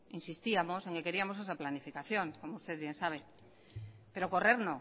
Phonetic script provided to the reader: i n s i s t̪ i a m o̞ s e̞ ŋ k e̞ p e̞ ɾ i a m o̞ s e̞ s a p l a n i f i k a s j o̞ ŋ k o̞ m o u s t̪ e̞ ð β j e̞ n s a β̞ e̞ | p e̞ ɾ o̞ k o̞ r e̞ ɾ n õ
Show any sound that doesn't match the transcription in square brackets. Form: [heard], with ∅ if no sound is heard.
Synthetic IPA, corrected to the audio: i n s i s t̪ i a m o̞ s e̞ ŋ k e̞ [k] e̞ ɾ i a m o̞ s e̞ s a p l a n i f i k a [θ] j o̞ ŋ k o̞ m o u s t̪ e̞ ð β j e̞ n s a β̞ e̞ | p e̞ ɾ o̞ k o̞ r e̞ ɾ n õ